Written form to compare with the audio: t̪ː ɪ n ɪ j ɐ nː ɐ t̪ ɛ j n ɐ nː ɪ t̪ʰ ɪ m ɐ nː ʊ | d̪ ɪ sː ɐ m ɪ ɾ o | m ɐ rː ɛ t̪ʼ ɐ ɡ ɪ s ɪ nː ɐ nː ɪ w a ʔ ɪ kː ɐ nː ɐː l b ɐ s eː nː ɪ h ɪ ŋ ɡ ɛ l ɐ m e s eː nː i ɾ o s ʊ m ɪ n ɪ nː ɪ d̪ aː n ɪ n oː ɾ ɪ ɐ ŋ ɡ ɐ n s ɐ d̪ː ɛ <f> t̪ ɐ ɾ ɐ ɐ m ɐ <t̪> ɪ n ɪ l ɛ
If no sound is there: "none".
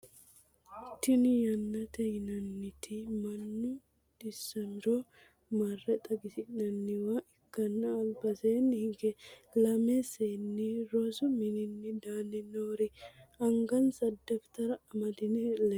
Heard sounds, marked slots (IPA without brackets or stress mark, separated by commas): f, d̪